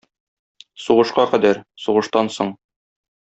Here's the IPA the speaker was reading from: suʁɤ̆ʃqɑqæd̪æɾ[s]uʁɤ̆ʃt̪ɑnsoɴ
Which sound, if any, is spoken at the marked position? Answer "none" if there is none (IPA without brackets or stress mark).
s